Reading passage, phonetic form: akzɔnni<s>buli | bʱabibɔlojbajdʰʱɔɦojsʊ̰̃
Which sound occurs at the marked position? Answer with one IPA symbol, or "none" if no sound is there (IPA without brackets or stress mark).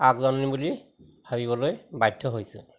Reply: none